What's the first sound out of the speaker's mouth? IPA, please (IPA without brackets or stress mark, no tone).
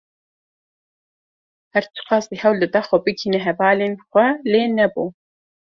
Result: h